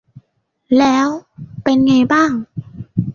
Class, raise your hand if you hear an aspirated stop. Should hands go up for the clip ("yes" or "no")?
no